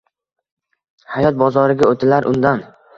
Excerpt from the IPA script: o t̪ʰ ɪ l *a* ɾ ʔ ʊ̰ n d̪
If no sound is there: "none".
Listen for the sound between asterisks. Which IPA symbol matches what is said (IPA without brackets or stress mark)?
a